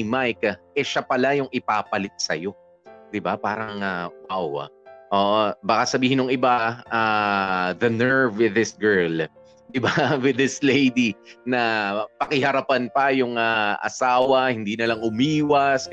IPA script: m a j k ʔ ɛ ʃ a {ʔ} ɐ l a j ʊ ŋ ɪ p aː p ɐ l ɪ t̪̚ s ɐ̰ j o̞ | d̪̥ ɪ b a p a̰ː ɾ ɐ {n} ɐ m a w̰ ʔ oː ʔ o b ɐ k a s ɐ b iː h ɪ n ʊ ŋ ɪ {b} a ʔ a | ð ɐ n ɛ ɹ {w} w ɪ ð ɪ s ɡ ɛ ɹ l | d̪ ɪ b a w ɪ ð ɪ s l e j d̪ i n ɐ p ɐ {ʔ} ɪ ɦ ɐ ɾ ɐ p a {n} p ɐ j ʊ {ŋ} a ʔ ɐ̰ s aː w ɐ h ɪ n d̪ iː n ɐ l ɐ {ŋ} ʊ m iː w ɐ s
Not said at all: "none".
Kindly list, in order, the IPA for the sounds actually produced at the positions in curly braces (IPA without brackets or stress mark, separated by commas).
p, ŋ, b, v, k, n, ŋ, ŋ